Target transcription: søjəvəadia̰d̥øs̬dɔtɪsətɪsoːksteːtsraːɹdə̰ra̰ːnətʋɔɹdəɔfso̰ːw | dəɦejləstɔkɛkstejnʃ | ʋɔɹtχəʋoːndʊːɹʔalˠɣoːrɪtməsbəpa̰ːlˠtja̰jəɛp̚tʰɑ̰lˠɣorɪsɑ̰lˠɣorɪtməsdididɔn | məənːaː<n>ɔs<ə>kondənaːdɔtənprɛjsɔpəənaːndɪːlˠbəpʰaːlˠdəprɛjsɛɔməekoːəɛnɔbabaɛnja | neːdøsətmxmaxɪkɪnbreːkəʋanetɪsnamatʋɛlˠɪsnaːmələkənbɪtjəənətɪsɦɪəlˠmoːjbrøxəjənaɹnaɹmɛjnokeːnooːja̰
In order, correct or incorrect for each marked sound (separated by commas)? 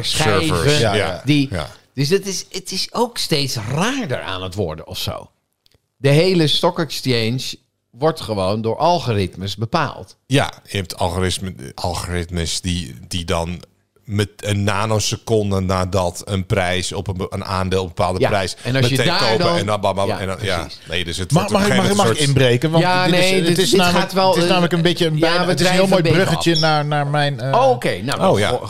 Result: correct, correct